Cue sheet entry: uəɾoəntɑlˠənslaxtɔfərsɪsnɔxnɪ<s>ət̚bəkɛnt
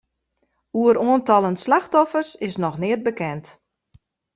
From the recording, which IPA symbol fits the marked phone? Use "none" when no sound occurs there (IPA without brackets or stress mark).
none